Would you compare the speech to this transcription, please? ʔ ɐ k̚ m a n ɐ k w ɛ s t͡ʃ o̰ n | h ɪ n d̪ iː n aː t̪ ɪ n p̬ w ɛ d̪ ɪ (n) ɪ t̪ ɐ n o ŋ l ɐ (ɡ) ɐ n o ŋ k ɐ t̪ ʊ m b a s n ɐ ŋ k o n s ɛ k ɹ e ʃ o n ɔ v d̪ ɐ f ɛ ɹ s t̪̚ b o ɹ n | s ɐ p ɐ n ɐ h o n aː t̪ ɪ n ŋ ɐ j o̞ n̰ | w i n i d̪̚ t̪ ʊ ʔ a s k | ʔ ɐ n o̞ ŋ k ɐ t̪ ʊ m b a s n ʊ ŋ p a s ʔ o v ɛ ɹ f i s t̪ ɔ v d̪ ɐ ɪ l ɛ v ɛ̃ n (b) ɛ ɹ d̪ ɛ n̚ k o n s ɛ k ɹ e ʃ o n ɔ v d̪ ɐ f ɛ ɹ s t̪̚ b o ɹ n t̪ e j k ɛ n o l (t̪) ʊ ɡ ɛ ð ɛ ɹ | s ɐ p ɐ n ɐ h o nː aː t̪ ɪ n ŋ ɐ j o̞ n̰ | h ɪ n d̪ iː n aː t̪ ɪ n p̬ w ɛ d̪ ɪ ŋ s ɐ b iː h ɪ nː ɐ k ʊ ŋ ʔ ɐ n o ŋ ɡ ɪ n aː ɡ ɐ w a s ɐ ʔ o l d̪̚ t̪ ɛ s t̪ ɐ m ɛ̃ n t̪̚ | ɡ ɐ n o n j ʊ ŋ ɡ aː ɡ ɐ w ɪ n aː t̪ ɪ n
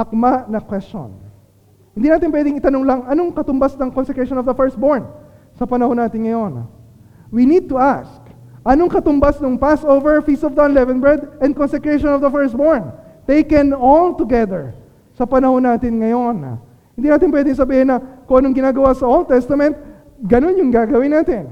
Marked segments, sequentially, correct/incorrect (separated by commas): incorrect, incorrect, correct, correct